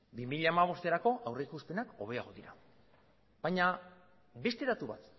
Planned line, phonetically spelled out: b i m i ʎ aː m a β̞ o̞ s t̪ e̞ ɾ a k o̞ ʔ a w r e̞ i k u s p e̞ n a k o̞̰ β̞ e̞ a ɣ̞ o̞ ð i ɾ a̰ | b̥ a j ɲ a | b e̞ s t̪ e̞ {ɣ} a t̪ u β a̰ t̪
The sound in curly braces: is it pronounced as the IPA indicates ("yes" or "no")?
no